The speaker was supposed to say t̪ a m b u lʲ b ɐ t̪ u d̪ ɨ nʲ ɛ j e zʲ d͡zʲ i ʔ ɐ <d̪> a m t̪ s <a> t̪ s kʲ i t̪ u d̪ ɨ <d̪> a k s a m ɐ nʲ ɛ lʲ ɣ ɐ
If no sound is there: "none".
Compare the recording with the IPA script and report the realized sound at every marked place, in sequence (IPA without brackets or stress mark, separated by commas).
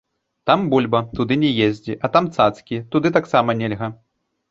t̪, a, t̪